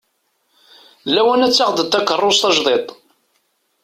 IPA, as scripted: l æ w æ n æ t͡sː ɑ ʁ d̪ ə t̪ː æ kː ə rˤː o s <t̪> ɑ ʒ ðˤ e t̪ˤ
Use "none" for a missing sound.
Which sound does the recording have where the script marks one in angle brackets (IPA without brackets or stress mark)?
t̪